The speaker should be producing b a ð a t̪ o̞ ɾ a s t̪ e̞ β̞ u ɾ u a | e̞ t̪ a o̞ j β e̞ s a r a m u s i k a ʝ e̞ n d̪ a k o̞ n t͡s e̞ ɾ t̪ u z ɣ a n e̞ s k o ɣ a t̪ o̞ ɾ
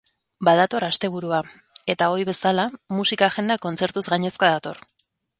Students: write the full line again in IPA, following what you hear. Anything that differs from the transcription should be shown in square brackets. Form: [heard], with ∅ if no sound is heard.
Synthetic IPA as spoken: b a ð a t̪ o̞ ɾ a s t̪ e̞ β̞ u ɾ u a | e̞ t̪ a o̞ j β e̞ s a [l] a m u s i k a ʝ e̞ n d̪ a k o̞ n t͡s e̞ ɾ t̪ u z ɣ a [ɲ] e̞ s k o [ð] a t̪ o̞ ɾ